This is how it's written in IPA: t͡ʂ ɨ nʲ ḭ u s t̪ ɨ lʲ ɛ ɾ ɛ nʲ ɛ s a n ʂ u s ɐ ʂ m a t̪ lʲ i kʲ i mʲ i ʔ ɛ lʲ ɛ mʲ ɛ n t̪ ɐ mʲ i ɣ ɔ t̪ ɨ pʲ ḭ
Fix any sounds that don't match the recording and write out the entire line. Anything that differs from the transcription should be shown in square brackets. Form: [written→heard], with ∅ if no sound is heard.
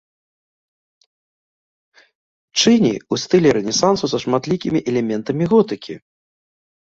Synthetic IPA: t͡ʂ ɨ nʲ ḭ u s t̪ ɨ lʲ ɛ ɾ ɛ nʲ ɛ s a n [ʂ→s] u s ɐ ʂ m a t̪ lʲ i kʲ i mʲ i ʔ ɛ lʲ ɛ mʲ ɛ n t̪ ɐ mʲ i ɣ ɔ t̪ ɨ [pʲ→kʲ] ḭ

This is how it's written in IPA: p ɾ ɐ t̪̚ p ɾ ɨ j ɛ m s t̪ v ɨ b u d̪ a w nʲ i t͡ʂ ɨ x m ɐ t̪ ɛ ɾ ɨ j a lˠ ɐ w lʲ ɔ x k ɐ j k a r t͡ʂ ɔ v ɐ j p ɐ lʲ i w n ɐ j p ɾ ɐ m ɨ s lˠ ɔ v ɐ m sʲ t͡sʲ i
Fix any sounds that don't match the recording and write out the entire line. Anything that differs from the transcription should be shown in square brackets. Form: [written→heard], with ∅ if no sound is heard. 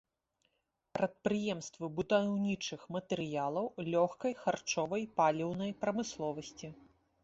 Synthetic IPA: p ɾ ɐ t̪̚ p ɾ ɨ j ɛ m s t̪ v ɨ b u d̪ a w nʲ i t͡ʂ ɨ x m ɐ t̪ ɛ ɾ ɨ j a lˠ ɐ w lʲ ɔ x k ɐ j [k→x] a r t͡ʂ ɔ v ɐ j p [ɐ→a] lʲ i w n ɐ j p ɾ ɐ m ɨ s lˠ ɔ v ɐ [m→∅] sʲ t͡sʲ i

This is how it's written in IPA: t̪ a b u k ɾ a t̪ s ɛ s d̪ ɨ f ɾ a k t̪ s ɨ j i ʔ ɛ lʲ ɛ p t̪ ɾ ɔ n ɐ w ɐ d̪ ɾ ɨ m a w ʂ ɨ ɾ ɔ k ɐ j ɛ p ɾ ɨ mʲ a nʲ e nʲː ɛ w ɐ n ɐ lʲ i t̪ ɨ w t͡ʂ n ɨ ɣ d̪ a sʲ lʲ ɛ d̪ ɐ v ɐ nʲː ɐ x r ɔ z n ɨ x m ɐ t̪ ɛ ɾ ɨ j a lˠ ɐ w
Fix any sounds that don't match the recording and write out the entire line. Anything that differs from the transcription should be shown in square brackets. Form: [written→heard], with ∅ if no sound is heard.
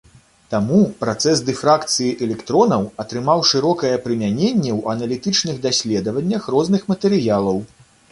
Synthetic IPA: t̪ a [b→m] u [k→p] ɾ a t̪ s ɛ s d̪ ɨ f ɾ a k t̪ s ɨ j i ʔ ɛ lʲ ɛ [p→k] t̪ ɾ ɔ n ɐ w ɐ [d̪→t̪] ɾ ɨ m a w ʂ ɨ ɾ ɔ k ɐ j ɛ p ɾ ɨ mʲ a nʲ e nʲː ɛ w ɐ n ɐ lʲ i t̪ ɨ [w→∅] t͡ʂ n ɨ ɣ d̪ a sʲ lʲ ɛ d̪ ɐ v ɐ nʲː ɐ x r ɔ z n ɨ x m ɐ t̪ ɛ ɾ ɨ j a lˠ ɐ w

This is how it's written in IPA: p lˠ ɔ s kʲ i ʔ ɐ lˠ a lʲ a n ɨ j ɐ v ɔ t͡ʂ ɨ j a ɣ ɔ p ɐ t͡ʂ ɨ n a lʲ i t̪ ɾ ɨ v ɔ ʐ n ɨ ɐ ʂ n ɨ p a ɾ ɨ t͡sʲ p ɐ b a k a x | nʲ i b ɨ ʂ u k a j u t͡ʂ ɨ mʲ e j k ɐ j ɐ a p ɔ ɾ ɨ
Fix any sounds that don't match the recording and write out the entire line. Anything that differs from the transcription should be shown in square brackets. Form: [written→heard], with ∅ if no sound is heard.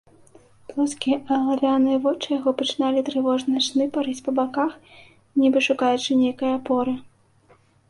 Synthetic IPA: p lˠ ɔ s kʲ i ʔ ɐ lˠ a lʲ a n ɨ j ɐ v ɔ t͡ʂ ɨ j a ɣ ɔ p ɐ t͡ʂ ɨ n a lʲ i t̪ ɾ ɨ v ɔ ʐ n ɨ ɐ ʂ n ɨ p a ɾ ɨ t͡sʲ p ɐ b a k a x | nʲ i b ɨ ʂ u k a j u t͡ʂ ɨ [mʲ→nʲ] e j k ɐ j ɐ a p ɔ ɾ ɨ

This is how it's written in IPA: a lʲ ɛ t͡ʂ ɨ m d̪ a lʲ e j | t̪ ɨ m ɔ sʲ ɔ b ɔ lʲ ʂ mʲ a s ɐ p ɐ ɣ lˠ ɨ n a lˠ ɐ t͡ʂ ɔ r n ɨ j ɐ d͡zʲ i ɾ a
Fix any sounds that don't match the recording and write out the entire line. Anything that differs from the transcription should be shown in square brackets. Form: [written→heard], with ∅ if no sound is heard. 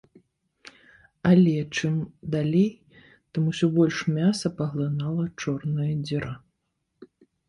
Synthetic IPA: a lʲ ɛ t͡ʂ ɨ m d̪ a lʲ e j | t̪ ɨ m [ɔ→u] sʲ ɔ b ɔ lʲ ʂ mʲ a s ɐ p ɐ ɣ lˠ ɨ n a lˠ ɐ t͡ʂ ɔ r n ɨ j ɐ d͡zʲ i ɾ a

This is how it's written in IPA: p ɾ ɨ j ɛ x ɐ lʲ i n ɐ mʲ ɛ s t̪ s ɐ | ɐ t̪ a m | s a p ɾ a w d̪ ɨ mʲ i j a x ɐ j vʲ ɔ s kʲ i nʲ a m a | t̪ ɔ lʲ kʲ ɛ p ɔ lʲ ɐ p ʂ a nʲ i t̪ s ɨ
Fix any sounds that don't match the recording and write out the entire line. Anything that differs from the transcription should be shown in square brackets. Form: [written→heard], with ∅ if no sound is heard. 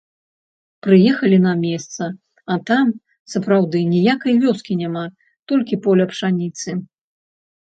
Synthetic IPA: p ɾ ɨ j ɛ x ɐ lʲ i n ɐ mʲ ɛ s t̪ s ɐ | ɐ t̪ a m | s [a→ɐ] p ɾ a w d̪ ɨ [mʲ→nʲ] i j a [x→k] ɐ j vʲ ɔ s kʲ i nʲ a m a | t̪ ɔ lʲ kʲ [ɛ→i] p ɔ lʲ ɐ p ʂ a nʲ i t̪ s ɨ

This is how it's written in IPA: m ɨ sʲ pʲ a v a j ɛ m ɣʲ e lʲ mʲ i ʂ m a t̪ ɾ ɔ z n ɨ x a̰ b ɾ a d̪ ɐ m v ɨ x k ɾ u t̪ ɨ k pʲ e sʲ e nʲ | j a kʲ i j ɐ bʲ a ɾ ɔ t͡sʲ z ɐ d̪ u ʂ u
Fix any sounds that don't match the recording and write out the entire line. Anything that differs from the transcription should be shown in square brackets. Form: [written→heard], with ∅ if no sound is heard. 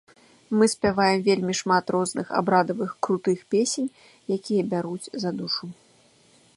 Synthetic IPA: m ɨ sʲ pʲ a v a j ɛ m [ɣʲ→vʲ] e lʲ mʲ i ʂ m a t̪ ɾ ɔ z n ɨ x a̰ b ɾ a d̪ ɐ [m→∅] v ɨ x k ɾ u t̪ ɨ [k→x] pʲ e sʲ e nʲ | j a kʲ i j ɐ bʲ a ɾ [ɔ→u] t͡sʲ z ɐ d̪ u ʂ u

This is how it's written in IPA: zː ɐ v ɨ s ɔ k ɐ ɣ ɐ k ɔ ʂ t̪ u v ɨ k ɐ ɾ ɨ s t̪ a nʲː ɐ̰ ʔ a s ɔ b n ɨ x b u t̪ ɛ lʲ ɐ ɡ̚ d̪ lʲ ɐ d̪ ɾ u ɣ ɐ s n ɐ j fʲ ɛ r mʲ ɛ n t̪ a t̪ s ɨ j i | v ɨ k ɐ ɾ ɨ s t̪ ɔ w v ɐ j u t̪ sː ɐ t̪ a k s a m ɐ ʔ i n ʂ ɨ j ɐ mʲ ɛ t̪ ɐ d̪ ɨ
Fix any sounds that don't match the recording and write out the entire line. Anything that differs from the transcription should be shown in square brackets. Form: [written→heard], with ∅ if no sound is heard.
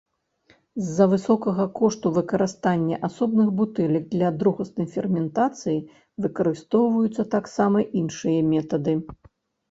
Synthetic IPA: zː ɐ v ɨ s ɔ k ɐ ɣ ɐ k ɔ ʂ t̪ u v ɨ k ɐ ɾ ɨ s t̪ a nʲː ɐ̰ ʔ a s ɔ b n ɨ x b u t̪ ɛ lʲ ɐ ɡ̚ d̪ lʲ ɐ d̪ ɾ u ɣ ɐ s n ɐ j fʲ ɛ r mʲ ɛ n t̪ a t̪ s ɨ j i | v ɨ k ɐ ɾ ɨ s t̪ ɔ w v ɐ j u t̪ sː ɐ t̪ a k s a m ɐ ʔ i n ʂ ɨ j ɐ mʲ ɛ t̪ ɐ d̪ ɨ

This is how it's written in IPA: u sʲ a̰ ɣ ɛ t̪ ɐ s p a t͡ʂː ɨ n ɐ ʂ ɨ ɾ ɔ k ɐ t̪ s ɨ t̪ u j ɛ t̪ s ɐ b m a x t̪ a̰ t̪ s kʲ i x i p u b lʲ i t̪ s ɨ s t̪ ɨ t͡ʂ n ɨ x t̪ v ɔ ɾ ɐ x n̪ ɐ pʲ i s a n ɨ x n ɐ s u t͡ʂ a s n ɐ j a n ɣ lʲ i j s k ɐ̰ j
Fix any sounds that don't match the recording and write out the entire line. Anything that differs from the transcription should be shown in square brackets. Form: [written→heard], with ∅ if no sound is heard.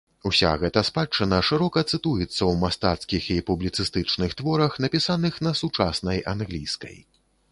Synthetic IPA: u sʲ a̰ ɣ ɛ t̪ ɐ s p a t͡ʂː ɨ n ɐ ʂ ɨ ɾ ɔ k ɐ t̪ s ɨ t̪ u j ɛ t̪ [s→sː] ɐ [b→w] m a [x→s] t̪ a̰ t̪ s kʲ i x i p u b lʲ i t̪ s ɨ s t̪ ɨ t͡ʂ n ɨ x t̪ v ɔ ɾ ɐ x n̪ ɐ pʲ i s a n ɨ x n ɐ s u t͡ʂ a s n ɐ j a n ɣ lʲ i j s k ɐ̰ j

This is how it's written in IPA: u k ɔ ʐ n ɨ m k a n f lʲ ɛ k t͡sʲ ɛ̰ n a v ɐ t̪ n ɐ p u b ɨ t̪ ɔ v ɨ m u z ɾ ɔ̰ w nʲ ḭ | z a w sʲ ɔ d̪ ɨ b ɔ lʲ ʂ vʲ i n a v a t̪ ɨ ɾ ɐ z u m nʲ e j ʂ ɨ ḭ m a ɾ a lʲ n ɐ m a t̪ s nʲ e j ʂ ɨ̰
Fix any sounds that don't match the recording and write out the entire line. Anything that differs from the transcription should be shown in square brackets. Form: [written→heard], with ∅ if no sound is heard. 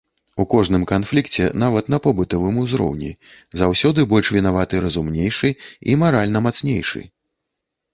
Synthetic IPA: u k ɔ ʐ n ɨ m k a n f lʲ [ɛ→i] k t͡sʲ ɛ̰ n a v ɐ t̪ n ɐ p [u→ɔ] b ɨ t̪ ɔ v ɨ m u z ɾ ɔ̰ w nʲ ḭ | z a w sʲ ɔ d̪ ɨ b ɔ lʲ ʂ vʲ i n a v a t̪ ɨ ɾ ɐ z u m nʲ e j ʂ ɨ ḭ m a ɾ a lʲ n ɐ m a t̪ s nʲ e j ʂ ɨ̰

